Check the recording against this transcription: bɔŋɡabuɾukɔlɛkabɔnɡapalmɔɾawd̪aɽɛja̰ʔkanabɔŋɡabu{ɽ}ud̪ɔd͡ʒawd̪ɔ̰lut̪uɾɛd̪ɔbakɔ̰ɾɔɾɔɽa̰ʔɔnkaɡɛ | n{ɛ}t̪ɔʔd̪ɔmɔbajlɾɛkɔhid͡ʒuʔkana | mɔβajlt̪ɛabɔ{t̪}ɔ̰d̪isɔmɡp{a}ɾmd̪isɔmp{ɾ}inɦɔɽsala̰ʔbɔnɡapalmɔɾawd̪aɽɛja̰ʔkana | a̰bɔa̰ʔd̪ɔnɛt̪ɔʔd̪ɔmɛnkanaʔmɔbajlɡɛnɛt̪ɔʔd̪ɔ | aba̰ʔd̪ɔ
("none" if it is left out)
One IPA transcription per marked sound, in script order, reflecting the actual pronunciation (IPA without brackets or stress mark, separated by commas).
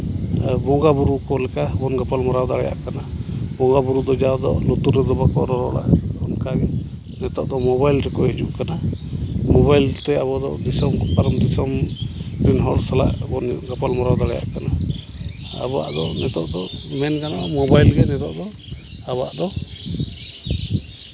ɾ, ɛ, d̪, a, ɾ